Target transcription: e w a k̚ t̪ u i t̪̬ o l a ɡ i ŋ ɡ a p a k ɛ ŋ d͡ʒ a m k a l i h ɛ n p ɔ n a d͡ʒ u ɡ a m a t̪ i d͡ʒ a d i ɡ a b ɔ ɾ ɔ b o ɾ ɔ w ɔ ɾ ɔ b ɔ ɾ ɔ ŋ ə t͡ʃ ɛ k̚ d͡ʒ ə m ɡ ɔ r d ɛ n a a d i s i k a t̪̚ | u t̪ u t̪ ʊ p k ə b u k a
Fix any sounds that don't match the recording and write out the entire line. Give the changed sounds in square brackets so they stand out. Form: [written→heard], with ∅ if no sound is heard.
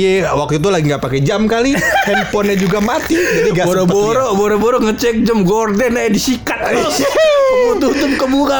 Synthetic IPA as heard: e w a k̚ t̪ u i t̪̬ [o→u] l a ɡ i ŋ ɡ a p a k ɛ [ŋ→∅] d͡ʒ a m k a l i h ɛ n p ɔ n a d͡ʒ u ɡ a m a t̪ i d͡ʒ a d i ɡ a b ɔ ɾ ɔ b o ɾ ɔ [w→b] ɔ ɾ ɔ b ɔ ɾ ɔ ŋ ə t͡ʃ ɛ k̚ d͡ʒ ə m ɡ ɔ r d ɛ n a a d i s i k a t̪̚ | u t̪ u t̪ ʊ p k ə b u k a